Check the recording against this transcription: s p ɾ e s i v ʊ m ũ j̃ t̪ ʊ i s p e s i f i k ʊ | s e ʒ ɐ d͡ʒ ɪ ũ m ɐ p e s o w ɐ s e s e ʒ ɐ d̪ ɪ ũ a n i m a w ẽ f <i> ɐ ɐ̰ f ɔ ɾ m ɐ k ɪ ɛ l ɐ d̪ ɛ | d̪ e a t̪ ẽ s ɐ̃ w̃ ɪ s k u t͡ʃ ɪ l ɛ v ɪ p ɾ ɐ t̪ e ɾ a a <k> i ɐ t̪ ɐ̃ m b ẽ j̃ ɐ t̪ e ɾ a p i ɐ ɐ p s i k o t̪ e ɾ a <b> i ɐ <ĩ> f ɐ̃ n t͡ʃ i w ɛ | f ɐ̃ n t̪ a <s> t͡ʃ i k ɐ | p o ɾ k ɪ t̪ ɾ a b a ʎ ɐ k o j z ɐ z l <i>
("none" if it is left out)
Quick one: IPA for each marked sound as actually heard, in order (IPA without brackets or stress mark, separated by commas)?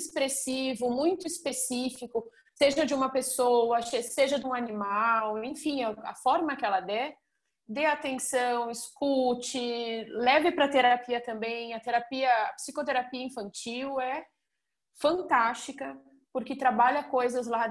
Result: ĩ, p, p, ĩ, s, a